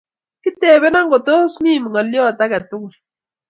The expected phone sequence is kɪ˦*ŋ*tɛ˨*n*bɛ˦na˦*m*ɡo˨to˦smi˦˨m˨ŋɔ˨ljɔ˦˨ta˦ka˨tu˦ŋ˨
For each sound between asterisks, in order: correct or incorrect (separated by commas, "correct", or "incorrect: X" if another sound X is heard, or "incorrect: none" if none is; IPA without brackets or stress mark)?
incorrect: none, incorrect: none, incorrect: ŋ